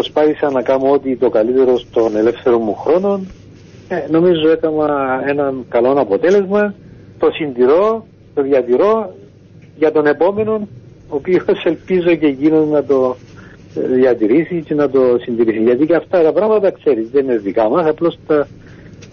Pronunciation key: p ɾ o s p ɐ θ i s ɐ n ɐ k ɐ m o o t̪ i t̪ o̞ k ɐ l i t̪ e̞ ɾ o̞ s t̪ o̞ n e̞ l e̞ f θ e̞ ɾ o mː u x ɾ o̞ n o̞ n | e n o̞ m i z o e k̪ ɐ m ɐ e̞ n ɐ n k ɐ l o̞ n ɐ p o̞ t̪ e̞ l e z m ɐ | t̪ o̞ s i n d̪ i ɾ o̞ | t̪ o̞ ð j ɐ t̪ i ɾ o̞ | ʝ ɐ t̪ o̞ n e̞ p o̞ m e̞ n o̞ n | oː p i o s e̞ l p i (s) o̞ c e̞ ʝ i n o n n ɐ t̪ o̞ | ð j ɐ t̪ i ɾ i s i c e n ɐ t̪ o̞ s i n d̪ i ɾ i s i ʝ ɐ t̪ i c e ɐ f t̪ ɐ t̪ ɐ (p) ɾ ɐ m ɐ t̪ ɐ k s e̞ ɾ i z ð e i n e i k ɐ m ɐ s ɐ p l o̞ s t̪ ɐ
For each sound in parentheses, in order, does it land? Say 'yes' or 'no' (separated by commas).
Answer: no, yes